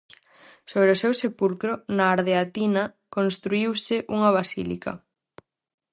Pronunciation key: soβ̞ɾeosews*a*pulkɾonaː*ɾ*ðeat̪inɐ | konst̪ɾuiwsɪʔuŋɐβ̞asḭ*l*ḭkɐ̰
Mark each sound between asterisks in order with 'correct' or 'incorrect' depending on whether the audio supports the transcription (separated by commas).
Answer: incorrect, correct, correct